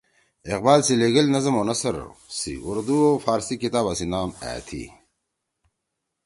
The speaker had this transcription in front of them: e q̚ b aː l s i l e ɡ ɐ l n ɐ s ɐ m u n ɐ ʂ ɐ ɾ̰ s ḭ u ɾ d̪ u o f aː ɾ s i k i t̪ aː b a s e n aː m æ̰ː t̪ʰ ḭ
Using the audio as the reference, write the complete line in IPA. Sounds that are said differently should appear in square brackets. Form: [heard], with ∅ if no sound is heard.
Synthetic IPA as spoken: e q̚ b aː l s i l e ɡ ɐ l n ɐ [z] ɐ m [o] n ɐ [s] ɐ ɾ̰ s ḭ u ɾ d̪ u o f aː ɾ s i k i t̪ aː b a s [i] n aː m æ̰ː t̪ʰ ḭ